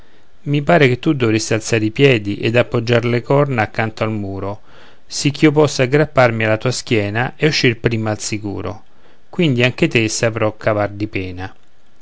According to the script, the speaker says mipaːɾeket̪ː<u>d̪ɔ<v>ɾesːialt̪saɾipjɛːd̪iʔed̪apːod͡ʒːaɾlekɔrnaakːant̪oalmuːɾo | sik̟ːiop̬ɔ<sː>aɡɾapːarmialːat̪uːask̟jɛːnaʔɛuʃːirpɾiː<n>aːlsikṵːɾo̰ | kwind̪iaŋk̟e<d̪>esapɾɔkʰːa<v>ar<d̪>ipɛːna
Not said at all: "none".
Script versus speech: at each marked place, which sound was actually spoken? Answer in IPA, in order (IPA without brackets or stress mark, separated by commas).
u, v, sː, m, t̪, v, d̪